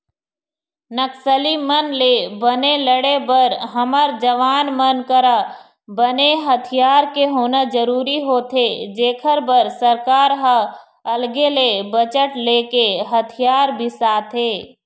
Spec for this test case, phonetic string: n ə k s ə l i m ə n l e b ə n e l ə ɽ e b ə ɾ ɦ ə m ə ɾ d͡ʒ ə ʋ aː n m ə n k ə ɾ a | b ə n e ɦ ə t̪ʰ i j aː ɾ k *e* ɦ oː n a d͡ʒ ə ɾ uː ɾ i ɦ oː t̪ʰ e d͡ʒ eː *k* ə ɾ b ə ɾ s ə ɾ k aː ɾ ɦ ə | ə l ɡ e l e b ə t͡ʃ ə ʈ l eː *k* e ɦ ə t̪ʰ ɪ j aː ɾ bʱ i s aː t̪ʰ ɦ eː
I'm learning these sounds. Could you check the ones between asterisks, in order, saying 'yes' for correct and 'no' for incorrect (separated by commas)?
yes, no, yes